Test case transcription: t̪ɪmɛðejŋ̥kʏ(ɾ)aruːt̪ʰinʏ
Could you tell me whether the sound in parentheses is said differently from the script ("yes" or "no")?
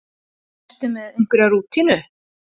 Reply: no